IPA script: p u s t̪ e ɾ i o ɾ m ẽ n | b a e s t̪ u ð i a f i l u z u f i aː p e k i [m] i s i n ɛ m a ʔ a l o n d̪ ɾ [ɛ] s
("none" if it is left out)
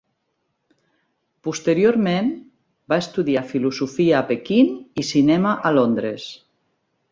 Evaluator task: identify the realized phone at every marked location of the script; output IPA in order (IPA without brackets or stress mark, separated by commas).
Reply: n, e